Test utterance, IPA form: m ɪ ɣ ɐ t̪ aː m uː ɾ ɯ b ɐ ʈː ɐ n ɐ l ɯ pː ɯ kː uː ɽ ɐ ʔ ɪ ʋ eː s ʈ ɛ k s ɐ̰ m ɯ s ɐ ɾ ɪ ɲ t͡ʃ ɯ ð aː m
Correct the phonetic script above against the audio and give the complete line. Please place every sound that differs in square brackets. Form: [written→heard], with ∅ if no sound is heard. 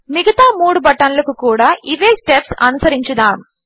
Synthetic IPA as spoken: m ɪ ɣ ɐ t̪ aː m uː [ɾ→ɽ] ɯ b ɐ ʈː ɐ n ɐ l ɯ [pː→kː] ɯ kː uː ɽ ɐ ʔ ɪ ʋ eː s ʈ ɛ [k→p] s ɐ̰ [m→n] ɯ s ɐ ɾ ɪ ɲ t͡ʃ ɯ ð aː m